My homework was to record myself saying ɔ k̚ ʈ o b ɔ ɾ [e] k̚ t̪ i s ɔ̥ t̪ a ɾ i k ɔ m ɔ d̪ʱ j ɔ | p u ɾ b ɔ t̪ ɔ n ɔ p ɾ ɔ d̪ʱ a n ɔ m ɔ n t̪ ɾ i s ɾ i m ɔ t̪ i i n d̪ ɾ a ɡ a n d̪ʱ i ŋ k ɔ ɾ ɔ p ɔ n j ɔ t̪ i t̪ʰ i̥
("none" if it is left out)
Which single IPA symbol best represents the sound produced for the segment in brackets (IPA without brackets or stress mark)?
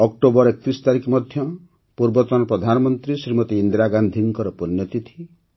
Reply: e